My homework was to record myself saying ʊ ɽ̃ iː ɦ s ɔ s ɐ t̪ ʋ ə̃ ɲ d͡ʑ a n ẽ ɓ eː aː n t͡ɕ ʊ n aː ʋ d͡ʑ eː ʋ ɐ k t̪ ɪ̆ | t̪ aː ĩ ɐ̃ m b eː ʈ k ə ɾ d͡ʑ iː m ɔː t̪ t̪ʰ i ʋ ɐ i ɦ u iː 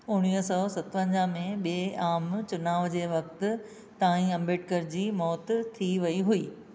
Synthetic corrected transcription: ʊ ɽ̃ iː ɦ s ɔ s ɐ t̪ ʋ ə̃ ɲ d͡ʑ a m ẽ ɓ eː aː m t͡ɕ ʊ n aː ʋ d͡ʑ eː ʋ ɐ k t̪ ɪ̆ | t̪ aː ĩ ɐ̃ m b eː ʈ k ə ɾ d͡ʑ iː m ɔː t̪ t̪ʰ i ʋ ɐ i ɦ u iː